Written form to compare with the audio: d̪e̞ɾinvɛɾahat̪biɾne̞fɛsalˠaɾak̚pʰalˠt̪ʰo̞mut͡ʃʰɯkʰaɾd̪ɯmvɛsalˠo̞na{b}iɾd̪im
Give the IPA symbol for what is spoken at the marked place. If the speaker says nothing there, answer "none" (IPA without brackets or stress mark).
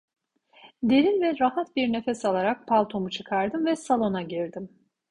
ɟ